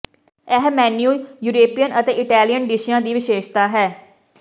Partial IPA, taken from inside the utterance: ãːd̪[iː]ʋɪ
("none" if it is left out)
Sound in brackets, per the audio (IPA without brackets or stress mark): iː